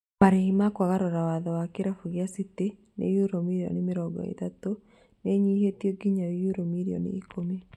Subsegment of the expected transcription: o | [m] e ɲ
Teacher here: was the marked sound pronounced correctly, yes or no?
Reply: no